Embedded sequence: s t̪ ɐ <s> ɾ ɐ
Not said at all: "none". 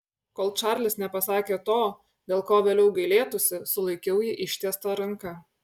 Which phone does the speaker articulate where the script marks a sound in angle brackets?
none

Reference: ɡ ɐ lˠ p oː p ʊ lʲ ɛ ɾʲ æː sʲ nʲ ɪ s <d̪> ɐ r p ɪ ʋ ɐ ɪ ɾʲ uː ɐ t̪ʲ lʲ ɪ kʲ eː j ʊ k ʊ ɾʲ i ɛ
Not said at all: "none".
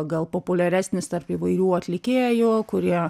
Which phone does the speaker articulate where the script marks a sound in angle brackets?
t̪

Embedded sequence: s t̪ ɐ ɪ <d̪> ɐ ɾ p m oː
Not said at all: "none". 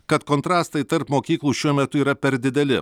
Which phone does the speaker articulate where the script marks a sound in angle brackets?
t̪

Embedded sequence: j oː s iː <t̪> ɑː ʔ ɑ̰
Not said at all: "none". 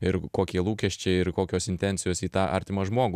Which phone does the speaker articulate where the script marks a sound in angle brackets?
t̪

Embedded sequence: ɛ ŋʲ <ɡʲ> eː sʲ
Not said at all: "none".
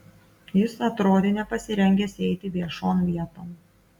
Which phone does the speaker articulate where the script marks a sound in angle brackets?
ɡʲ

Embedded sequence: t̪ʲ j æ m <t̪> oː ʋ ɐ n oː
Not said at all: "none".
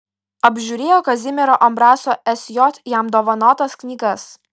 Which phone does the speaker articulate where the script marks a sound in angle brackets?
d̪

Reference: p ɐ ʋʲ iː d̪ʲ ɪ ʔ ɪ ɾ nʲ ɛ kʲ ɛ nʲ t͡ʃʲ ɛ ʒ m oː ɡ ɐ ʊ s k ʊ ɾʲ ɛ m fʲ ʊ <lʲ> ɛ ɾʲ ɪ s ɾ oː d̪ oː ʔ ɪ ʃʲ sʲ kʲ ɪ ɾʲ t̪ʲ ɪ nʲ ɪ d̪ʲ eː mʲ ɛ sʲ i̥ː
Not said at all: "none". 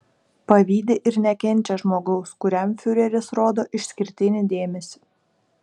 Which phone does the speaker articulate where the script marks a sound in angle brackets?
ɾʲ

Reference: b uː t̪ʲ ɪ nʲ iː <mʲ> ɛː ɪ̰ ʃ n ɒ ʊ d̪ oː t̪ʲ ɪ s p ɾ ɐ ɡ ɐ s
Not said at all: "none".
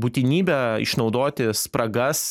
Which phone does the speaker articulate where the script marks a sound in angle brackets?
bʲ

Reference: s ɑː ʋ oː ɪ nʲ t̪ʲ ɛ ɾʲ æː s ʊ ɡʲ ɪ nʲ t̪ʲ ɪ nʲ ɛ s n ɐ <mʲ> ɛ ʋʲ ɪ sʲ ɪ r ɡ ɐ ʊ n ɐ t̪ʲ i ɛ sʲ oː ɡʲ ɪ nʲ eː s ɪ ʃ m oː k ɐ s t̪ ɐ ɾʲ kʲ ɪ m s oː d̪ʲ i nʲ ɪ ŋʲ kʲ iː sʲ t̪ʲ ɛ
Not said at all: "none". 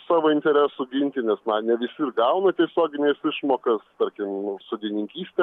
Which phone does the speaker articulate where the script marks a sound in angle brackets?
nʲ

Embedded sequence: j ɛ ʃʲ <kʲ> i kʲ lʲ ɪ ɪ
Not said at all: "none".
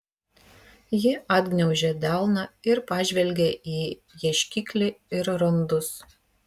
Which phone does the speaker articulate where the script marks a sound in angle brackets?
kʲ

